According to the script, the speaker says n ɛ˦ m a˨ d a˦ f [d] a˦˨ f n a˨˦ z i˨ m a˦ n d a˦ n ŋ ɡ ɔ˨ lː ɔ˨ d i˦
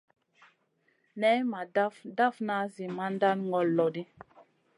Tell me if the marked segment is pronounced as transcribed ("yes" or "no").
yes